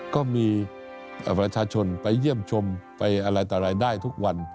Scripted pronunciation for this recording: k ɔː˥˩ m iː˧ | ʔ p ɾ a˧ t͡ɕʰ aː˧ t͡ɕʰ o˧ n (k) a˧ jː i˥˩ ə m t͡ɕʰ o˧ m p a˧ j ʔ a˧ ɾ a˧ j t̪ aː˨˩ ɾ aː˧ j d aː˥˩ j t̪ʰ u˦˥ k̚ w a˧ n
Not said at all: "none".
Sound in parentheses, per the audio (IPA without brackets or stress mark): p